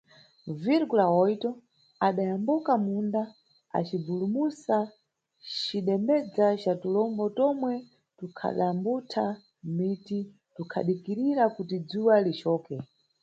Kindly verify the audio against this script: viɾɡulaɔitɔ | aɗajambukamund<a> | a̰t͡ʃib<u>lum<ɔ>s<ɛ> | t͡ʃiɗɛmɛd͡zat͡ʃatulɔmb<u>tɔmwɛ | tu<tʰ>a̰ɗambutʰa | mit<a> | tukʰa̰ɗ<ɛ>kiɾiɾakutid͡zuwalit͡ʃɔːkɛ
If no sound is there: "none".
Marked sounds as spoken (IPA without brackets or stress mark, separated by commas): a, u, u, a, ɔ, kʰ, i, i